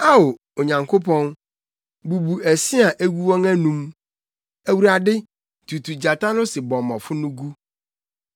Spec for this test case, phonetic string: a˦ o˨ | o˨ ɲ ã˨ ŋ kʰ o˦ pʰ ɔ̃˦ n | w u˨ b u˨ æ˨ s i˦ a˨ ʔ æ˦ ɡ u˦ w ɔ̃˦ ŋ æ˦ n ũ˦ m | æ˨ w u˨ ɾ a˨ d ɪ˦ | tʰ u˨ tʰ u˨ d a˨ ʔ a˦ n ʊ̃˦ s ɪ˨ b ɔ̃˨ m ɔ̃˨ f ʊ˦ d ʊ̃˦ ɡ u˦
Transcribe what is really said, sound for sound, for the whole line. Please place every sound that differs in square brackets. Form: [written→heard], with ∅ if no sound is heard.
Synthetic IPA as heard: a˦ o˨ | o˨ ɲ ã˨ ŋ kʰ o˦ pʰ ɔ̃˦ n | [w→b] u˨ b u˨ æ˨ s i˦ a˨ ʔ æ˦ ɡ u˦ w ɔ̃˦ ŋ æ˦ n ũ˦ m | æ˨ w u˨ ɾ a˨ d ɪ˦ | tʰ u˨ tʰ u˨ [d→d͡ʑ] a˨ [ʔ→t] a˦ n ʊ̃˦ s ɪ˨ b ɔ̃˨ m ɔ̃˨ f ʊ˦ [d→n] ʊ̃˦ ɡ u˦

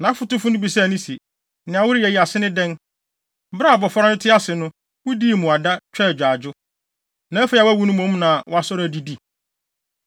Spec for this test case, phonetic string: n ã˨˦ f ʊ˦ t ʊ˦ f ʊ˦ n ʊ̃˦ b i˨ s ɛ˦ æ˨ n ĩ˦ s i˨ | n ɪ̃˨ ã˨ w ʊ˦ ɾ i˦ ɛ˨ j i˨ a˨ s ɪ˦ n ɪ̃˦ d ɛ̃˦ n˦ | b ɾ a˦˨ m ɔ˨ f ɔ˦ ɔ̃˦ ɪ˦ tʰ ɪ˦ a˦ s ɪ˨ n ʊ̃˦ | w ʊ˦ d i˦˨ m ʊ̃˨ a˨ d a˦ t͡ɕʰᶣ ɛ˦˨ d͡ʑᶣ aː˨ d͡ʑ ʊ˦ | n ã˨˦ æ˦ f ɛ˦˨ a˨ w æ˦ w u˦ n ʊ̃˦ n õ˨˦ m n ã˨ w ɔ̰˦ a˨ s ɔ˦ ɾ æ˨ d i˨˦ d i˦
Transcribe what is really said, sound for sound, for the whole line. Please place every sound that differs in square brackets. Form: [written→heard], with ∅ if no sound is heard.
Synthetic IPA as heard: n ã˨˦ f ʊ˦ t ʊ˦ f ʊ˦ n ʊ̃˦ b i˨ s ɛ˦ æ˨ n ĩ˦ s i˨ | n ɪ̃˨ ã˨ w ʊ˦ ɾ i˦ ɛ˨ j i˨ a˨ s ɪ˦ n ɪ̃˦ d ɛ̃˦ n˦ | b ɾ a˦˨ [m→b] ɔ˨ f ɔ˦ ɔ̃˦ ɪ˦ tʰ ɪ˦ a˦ s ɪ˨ n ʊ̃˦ | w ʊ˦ d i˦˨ m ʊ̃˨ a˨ d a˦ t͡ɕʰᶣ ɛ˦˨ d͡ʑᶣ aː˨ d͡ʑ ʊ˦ | n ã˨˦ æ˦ f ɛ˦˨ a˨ w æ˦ w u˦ n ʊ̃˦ [n→m] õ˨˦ m n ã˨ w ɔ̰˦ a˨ s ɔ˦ ɾ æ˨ d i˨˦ d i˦

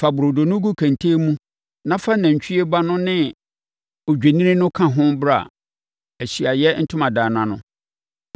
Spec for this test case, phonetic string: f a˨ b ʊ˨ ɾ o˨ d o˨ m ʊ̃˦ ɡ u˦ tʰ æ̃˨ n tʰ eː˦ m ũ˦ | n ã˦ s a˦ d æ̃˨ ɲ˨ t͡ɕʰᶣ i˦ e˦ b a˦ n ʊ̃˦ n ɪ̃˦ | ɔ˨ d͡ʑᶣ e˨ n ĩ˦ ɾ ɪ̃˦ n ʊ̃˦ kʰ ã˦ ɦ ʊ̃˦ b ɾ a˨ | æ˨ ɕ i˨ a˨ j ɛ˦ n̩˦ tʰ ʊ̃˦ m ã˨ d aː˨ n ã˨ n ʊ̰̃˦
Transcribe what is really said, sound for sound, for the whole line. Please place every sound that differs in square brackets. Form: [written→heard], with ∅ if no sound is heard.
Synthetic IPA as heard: f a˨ b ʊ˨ ɾ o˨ d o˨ [m→n] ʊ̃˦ ɡ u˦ [tʰ→kʰ] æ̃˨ n tʰ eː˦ m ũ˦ | n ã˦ [s→f] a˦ [d→n] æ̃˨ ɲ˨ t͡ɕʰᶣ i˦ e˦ b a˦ n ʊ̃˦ n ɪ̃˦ | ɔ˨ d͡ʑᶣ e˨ n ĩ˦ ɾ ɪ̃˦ n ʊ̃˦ kʰ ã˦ ɦ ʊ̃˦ b ɾ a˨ | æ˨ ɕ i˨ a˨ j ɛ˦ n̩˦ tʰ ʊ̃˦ m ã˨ d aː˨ n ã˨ n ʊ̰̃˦

